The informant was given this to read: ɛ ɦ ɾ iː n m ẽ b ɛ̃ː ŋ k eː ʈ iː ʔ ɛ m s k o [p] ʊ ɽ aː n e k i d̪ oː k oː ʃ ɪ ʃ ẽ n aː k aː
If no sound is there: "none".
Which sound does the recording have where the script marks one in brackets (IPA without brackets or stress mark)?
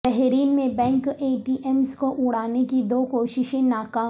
ʔ